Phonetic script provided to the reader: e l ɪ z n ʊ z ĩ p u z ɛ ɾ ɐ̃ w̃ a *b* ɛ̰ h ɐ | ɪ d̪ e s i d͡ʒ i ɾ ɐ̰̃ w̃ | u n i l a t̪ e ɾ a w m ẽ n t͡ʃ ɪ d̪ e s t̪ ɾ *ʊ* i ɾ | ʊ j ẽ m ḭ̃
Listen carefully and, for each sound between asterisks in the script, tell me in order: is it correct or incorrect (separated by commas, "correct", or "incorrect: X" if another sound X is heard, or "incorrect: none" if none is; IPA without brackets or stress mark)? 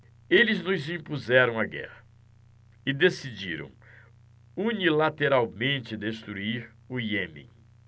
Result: incorrect: ɡ, incorrect: u